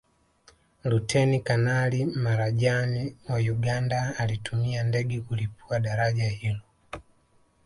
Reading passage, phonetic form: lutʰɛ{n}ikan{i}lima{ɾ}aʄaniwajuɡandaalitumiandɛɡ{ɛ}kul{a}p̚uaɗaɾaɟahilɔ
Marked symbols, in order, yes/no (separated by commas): yes, no, yes, yes, no